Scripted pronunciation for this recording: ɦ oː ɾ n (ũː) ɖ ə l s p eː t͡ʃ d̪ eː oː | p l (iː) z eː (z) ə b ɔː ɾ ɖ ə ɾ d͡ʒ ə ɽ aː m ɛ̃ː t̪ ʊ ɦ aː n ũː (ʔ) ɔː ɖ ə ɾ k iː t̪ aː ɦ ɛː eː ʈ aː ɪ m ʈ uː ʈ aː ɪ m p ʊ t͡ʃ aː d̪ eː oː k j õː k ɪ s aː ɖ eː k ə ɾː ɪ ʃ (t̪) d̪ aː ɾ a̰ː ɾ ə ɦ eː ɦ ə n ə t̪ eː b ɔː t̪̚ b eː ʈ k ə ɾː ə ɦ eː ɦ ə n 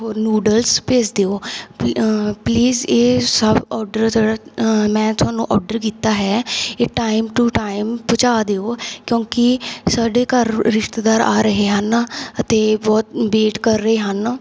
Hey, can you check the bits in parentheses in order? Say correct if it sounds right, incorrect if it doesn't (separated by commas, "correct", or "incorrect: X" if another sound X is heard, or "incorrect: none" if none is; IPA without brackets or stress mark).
incorrect: uː, correct, incorrect: s, correct, correct